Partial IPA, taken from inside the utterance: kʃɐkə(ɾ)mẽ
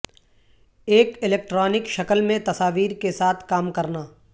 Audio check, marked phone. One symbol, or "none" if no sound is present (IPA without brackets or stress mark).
l